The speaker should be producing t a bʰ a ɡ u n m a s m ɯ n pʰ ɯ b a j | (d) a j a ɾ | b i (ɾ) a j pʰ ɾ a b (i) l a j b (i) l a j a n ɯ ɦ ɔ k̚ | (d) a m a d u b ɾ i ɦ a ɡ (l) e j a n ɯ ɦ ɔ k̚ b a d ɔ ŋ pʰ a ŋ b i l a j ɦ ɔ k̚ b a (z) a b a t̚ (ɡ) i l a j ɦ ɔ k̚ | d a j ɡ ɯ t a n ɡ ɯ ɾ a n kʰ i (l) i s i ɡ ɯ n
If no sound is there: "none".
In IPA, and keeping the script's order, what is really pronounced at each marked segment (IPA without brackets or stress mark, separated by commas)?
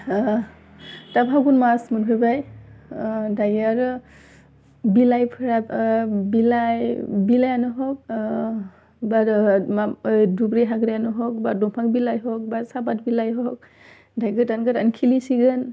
d, l, i, i, b, ɾ, s, b, l